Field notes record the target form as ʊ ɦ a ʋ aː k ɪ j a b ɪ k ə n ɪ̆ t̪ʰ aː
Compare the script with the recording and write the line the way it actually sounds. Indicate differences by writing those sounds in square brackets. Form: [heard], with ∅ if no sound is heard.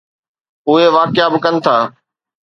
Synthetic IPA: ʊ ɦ [e] ʋ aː k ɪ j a b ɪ k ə n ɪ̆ t̪ʰ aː